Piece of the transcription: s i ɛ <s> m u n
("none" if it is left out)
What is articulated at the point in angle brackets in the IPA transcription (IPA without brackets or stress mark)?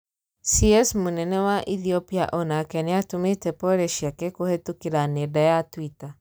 s